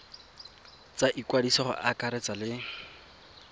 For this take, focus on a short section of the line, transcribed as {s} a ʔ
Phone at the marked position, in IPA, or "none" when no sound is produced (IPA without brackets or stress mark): t͡s